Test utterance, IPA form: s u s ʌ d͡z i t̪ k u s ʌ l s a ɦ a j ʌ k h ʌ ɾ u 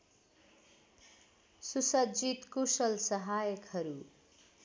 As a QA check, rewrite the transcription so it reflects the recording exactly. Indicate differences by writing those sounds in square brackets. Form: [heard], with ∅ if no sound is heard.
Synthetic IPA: s u s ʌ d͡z i t̪ k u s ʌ l s [ʌ] ɦ a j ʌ k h ʌ ɾ u